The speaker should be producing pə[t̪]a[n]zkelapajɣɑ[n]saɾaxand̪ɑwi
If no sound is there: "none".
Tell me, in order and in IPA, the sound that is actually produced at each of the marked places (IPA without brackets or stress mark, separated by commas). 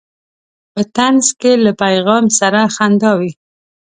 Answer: t̪, n, m